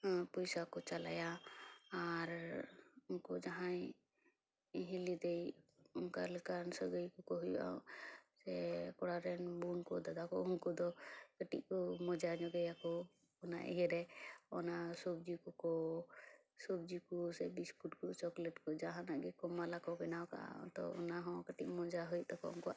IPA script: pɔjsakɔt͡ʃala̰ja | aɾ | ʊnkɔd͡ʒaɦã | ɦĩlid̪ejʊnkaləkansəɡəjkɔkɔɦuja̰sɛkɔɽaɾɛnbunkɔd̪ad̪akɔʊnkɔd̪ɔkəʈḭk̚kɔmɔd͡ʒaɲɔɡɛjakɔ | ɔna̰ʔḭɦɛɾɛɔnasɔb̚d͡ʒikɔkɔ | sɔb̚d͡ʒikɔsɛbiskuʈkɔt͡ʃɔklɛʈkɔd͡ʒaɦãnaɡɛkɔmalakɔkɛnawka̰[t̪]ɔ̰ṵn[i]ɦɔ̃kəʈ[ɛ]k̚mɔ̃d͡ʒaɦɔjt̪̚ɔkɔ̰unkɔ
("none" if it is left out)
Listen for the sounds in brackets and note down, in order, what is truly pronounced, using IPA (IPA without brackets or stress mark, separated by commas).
t̪, a, i